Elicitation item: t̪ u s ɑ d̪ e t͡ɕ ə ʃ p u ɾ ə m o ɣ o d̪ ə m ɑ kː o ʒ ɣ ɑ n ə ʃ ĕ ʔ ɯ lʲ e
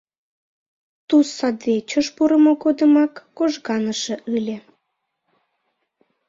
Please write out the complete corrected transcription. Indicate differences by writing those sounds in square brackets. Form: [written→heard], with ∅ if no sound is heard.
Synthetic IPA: t̪ u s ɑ d̪ e t͡ɕ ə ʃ p u ɾ ə m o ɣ o d̪ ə m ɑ kː o ʒ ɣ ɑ n ə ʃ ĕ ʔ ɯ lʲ e